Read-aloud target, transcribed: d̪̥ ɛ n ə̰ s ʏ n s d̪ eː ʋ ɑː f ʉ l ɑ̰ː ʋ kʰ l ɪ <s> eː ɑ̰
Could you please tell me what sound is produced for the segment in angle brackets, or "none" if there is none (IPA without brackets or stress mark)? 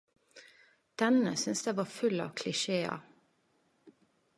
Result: ʃ